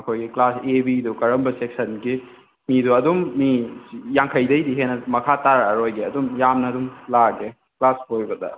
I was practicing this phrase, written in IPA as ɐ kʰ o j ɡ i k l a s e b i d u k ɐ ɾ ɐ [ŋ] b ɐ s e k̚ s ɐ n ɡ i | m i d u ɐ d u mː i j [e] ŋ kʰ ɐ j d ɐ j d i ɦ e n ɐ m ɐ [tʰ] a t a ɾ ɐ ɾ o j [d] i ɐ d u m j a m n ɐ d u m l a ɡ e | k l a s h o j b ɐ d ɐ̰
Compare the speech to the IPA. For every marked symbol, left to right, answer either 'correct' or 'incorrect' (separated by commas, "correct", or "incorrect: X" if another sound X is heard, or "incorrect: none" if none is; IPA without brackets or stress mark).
incorrect: m, incorrect: a, incorrect: kʰ, incorrect: ɡ